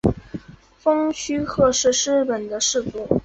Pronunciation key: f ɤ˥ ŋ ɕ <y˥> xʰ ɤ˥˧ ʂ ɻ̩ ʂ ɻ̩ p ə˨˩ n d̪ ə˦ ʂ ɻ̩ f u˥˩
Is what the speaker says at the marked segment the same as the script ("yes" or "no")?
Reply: yes